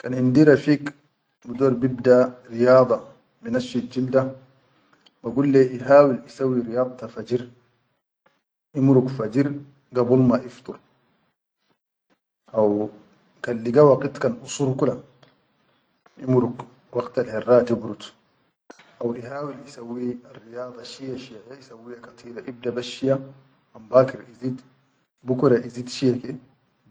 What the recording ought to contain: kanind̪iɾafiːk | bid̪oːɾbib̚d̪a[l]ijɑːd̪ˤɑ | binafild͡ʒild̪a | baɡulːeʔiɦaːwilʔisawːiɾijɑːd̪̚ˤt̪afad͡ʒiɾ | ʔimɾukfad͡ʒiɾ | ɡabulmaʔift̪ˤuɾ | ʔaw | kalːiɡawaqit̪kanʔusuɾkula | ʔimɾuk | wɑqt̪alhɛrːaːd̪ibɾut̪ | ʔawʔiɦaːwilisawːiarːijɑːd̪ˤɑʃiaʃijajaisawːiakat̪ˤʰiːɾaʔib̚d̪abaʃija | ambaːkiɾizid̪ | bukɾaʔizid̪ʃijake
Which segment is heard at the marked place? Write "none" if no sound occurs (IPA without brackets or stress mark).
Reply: ɾ